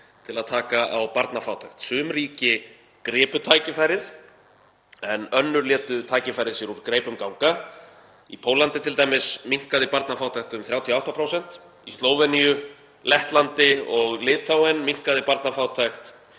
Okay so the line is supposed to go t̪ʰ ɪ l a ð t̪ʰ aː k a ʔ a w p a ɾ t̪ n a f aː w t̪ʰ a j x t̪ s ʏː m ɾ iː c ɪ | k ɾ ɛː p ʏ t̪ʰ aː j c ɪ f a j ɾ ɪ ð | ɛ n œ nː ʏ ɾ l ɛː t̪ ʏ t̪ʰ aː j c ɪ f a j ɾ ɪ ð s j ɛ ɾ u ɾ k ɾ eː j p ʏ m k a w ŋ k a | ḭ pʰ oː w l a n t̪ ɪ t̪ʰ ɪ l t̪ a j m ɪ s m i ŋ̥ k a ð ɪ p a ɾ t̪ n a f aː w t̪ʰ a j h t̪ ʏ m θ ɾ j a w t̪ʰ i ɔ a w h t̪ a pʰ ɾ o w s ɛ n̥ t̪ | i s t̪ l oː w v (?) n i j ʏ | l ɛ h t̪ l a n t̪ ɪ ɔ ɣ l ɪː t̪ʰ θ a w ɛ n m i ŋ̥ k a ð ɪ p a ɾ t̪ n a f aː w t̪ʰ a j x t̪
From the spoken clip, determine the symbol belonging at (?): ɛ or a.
ɛ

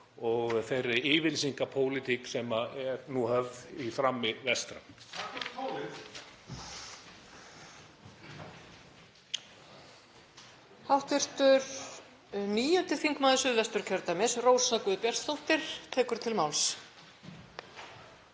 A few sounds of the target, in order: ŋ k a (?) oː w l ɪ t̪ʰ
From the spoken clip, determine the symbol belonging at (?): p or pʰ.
pʰ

